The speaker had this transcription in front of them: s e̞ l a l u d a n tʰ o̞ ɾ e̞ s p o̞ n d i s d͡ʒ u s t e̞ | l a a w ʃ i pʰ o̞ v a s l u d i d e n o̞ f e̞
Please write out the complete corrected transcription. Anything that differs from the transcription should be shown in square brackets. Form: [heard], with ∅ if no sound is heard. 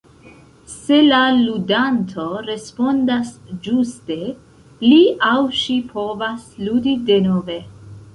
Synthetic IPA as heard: s e̞ l a l u d a n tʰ o̞ ɾ e̞ s p o̞ n d [a] s d͡ʒ u s t e̞ | l [i] a w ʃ i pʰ o̞ v a s l u d i d e n o̞ [v] e̞

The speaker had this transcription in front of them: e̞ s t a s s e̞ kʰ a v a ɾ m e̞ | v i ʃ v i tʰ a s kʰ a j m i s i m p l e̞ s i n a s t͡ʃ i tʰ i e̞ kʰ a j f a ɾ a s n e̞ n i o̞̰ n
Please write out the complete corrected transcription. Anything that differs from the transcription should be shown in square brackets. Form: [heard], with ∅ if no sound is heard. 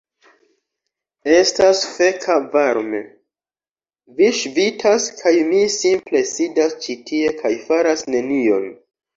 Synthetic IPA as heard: e̞ s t a s [f] e̞ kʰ a v a ɾ m e̞ | v i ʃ v i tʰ a s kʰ a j m i s i m p l e̞ s i [d] a s t͡ʃ i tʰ i e̞ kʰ a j f a ɾ a s n e̞ n i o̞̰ n

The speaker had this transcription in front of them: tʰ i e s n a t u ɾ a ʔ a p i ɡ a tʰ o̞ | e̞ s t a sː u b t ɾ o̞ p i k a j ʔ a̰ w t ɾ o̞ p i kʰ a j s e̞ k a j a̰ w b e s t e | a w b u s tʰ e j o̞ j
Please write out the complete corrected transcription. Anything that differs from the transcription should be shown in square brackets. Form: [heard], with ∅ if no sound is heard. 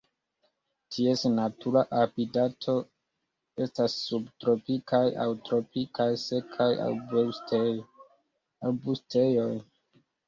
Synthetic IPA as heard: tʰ i e s n a t u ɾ a ʔ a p i [d] a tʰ o̞ | e̞ s t a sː u b t ɾ o̞ p i k a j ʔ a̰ w t ɾ o̞ p i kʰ a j s e̞ [kʰ] a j a̰ w b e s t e | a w b u s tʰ e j o̞ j

